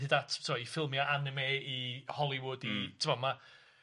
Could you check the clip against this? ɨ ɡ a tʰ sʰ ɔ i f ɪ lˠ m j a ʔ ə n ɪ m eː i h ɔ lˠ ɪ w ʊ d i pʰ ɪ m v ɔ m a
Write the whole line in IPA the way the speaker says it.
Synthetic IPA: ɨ d a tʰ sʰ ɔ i f ɪ lˠ m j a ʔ a n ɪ m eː i h ɔ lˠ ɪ w ʊ d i tʰ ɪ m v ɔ m a